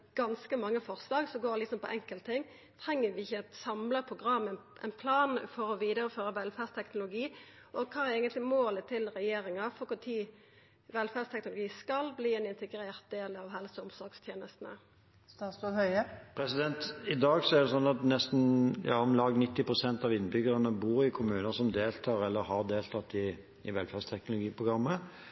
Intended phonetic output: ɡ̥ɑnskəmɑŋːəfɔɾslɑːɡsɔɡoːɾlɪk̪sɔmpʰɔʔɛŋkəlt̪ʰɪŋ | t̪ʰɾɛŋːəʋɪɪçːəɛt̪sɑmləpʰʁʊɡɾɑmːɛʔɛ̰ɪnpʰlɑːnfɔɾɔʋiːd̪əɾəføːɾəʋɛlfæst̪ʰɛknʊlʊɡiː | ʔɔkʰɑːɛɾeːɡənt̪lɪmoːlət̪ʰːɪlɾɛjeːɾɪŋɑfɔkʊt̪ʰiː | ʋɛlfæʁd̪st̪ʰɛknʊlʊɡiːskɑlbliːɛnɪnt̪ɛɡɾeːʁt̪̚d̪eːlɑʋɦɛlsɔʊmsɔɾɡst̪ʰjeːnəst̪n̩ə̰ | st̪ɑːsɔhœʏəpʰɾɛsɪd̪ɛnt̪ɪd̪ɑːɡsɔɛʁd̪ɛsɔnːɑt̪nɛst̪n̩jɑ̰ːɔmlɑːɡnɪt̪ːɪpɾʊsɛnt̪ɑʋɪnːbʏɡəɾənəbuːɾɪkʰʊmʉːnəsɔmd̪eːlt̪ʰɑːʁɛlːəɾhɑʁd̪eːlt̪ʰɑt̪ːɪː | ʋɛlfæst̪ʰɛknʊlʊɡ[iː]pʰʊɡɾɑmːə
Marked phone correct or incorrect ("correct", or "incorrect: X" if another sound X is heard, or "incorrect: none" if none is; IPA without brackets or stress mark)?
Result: correct